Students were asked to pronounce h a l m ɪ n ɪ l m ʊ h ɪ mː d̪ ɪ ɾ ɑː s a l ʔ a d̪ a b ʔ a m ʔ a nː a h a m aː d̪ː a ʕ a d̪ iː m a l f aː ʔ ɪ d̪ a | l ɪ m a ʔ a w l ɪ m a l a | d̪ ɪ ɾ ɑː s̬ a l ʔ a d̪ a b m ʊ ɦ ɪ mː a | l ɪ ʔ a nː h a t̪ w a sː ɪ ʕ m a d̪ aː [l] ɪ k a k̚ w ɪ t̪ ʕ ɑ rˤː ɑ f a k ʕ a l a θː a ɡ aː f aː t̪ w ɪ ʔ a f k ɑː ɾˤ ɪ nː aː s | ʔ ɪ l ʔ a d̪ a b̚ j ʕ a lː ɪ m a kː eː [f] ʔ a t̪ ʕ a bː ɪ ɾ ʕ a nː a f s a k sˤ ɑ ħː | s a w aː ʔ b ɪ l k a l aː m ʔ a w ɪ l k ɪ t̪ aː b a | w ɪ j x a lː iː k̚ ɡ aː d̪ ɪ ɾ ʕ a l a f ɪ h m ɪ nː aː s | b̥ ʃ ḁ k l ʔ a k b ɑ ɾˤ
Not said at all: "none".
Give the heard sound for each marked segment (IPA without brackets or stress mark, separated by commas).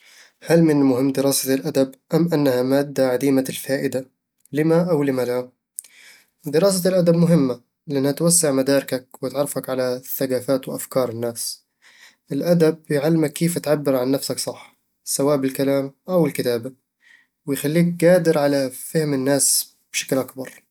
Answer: ɾ, f